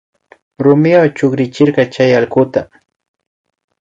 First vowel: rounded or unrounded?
rounded